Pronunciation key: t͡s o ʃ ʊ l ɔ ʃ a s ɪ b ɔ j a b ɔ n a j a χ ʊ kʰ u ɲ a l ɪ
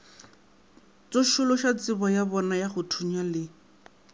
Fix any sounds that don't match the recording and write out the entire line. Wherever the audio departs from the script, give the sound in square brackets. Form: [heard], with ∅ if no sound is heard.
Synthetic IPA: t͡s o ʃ ʊ l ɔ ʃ a [t͡s] ɪ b ɔ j a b ɔ n a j a χ ʊ [tʰ] u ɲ a l ɪ